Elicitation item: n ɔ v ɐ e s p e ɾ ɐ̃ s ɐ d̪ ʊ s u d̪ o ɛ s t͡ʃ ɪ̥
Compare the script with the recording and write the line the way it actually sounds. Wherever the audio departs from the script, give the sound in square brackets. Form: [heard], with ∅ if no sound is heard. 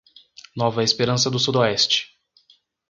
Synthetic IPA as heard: n ɔ v ɐ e s p e ɾ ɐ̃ s ɐ d̪ ʊ s u d̪ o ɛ s t͡ʃ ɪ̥